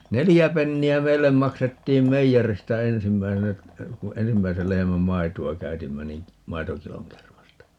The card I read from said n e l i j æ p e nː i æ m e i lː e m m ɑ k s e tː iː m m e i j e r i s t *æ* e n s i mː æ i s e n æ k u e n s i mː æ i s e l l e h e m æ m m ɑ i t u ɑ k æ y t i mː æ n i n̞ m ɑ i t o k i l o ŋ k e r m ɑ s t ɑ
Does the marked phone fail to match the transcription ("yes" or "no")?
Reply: no